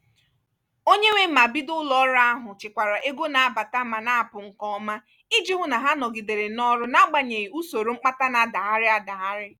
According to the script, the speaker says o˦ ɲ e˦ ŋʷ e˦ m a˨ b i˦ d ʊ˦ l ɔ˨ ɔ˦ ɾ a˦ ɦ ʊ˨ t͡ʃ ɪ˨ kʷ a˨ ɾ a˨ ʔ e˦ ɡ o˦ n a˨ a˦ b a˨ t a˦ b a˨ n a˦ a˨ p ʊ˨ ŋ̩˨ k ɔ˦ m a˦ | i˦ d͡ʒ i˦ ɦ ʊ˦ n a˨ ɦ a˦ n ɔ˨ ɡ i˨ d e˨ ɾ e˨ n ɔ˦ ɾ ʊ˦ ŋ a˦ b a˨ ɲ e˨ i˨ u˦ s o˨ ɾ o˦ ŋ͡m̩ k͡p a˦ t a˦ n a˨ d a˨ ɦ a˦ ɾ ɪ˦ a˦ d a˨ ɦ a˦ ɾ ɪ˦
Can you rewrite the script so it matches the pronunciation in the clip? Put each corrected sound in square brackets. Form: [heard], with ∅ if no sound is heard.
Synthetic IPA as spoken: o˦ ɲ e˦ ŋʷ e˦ m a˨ b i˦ d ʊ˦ l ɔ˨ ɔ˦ ɾ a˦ ɦ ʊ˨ t͡ʃ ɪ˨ kʷ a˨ ɾ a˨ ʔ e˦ ɡ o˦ n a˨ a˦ b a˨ t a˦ [m] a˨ n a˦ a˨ p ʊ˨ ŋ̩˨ k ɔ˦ m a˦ | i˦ d͡ʒ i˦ ɦ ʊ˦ n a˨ ɦ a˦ n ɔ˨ ɡ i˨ d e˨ ɾ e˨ n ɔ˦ ɾ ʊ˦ [n] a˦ [ɡ͡b] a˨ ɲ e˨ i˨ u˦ s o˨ ɾ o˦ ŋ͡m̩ k͡p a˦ t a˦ n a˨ d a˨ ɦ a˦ ɾ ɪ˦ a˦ d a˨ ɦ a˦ ɾ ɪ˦